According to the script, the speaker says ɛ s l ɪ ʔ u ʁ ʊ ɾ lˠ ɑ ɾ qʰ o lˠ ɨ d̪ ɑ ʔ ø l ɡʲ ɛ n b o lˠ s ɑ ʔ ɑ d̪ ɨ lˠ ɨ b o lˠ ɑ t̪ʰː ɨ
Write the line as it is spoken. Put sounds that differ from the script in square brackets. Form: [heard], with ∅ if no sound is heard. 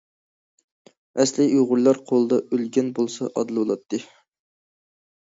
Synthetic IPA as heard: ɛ s l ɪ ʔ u ʁ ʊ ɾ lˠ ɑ ɾ qʰ o lˠ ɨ d̪ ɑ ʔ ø l ɡʲ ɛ n b o lˠ s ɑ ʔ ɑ d̪ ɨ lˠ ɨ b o lˠ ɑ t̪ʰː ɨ

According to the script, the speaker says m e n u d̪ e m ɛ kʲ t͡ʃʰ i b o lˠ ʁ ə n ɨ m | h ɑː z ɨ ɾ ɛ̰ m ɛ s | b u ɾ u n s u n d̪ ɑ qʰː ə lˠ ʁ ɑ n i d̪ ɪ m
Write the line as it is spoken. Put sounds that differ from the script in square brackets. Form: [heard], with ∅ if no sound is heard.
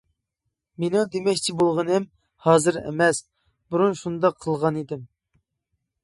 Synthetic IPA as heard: m e n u d̪ e m ɛ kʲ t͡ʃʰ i b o lˠ ʁ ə n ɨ m | h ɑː z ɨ ɾ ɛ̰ m ɛ s | b u ɾ u n [ʃ] u n d̪ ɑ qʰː ə lˠ ʁ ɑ n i d̪ ɪ m

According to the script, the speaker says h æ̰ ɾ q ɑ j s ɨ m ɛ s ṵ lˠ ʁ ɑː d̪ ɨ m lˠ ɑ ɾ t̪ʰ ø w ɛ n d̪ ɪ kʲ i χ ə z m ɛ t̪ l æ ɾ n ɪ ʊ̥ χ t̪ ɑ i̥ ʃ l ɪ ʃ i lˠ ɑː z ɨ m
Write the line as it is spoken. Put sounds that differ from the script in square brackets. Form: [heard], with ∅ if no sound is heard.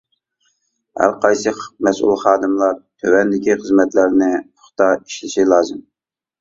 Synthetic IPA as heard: h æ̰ ɾ q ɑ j s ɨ m ɛ s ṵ lˠ [χ] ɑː d̪ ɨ m lˠ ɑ ɾ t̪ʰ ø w ɛ n d̪ ɪ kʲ i χ ə z m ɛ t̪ l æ ɾ n ɪ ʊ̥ χ t̪ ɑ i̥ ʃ l ɪ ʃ i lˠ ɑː z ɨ m

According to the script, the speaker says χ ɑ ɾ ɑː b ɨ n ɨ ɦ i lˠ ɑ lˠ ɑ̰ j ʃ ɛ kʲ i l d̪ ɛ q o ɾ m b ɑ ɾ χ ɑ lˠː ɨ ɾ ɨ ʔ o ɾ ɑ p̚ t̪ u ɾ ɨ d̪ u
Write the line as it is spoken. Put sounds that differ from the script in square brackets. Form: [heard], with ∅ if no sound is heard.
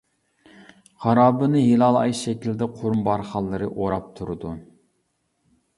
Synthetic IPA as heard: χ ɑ ɾ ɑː b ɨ n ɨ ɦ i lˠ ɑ lˠ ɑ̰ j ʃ ɛ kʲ i l d̪ ɛ [qʰ] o ɾ m b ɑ ɾ χ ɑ lˠː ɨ ɾ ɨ ʔ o ɾ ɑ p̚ [t̪ʰ] u ɾ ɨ d̪ u

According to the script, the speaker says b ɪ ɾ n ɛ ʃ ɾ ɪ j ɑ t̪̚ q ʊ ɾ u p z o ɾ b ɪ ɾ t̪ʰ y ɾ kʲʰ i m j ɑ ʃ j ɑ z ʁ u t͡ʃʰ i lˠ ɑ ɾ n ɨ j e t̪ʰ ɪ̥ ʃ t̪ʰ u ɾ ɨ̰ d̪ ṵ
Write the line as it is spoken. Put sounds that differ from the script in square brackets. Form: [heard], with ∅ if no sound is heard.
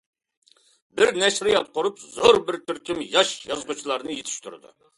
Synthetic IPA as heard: b ɪ ɾ n ɛ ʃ ɾ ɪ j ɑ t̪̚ q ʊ ɾ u p z o ɾ b ɪ ɾ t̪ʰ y ɾ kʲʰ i m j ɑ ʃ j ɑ z ʁ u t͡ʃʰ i lˠ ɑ ɾ n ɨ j e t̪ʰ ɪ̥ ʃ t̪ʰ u ɾ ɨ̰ d̪ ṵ

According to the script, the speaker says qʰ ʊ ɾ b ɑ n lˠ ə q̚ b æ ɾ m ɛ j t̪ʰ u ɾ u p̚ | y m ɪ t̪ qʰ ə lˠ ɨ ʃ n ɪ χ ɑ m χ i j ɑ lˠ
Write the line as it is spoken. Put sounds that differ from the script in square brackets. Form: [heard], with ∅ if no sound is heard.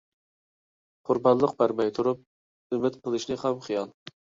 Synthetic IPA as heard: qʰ ʊ ɾ b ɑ n lˠ ə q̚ b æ ɾ m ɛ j t̪ʰ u ɾ u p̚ | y m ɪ t̪ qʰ ə lˠ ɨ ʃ n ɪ χ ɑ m χ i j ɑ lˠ

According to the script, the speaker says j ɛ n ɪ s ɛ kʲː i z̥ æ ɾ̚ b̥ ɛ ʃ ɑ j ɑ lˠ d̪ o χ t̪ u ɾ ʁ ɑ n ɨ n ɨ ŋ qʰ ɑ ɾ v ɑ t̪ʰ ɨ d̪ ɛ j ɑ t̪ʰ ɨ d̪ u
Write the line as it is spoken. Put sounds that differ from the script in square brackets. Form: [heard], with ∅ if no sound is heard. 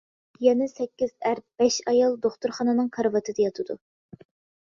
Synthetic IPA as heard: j ɛ n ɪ s ɛ kʲː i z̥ æ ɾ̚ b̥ ɛ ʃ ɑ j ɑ lˠ d̪ o χ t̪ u ɾ [χ] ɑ n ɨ n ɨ ŋ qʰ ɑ ɾ v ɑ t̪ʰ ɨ d̪ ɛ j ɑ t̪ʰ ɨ d̪ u

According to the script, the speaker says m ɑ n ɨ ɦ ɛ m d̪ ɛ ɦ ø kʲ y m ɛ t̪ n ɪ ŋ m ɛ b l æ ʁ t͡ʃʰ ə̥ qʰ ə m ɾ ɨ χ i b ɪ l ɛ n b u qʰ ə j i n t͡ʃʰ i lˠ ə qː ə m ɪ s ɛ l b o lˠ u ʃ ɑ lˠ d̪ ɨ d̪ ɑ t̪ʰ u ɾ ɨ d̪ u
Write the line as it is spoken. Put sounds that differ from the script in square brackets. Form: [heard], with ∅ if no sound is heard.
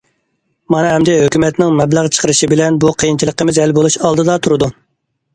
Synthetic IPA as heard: m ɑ n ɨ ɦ ɛ m d̪ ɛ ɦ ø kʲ y m ɛ t̪ n ɪ ŋ m ɛ b l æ ʁ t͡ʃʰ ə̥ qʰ ə [∅] ɾ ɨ [ʃ] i b ɪ l ɛ n b u qʰ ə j i n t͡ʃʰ i lˠ ə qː ə m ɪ [z] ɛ l b o lˠ u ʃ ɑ lˠ d̪ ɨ d̪ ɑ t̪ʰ u ɾ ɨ d̪ u

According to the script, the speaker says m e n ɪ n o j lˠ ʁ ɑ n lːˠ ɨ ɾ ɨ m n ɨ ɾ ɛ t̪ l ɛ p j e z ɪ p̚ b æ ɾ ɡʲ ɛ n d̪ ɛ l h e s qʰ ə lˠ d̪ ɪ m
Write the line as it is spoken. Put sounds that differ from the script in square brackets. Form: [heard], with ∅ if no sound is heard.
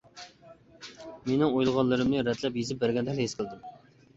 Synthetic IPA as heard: m e n ɪ [ŋ] o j lˠ ʁ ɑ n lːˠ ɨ ɾ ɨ m n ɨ ɾ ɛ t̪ l ɛ p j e z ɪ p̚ b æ ɾ ɡʲ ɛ n d̪ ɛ l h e s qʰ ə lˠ d̪ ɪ m

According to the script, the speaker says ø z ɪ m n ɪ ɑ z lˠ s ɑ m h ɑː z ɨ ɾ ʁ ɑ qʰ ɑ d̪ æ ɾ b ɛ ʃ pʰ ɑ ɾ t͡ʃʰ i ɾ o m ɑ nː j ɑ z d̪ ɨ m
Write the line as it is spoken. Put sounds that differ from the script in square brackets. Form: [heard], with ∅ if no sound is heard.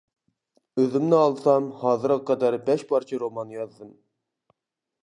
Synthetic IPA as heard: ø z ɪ m n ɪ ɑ [∅] lˠ s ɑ m h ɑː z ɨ ɾ ʁ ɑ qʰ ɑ d̪ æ ɾ b ɛ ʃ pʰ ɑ ɾ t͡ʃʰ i ɾ o m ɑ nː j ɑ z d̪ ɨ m

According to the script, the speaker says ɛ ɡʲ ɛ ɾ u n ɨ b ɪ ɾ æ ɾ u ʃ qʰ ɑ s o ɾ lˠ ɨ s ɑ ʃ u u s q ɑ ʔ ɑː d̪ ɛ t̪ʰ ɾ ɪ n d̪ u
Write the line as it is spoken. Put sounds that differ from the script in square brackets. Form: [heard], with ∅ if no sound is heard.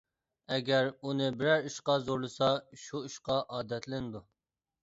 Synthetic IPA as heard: ɛ ɡʲ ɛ ɾ u n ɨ b ɪ ɾ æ ɾ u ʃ [q] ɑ [z] o ɾ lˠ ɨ s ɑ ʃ u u [ʃ] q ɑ ʔ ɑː d̪ ɛ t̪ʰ [l] ɪ n d̪ u

